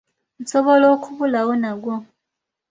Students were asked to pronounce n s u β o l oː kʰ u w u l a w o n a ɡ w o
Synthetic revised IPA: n s o β o l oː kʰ u β u l a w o n a ɡ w o